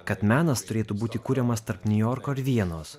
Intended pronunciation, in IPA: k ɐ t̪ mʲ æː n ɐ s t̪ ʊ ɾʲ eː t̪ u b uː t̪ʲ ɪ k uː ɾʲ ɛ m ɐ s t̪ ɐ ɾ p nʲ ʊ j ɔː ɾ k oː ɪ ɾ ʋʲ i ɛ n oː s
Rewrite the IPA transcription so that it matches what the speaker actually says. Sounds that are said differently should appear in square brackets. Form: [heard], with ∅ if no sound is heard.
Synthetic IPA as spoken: k ɐ t̪ mʲ æː n ɐ s t̪ ʊ ɾʲ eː t̪ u b uː t̪ʲ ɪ k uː ɾʲ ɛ m ɐ s t̪ ɐ ɾ p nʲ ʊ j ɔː ɾ k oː ɪ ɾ ʋʲ i ɛ n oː s